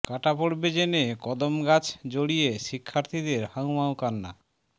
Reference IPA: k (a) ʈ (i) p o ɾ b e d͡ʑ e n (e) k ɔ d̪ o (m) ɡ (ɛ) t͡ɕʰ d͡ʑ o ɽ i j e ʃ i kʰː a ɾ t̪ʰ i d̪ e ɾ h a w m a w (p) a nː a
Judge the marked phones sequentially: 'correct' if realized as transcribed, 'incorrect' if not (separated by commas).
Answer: correct, incorrect, correct, correct, incorrect, incorrect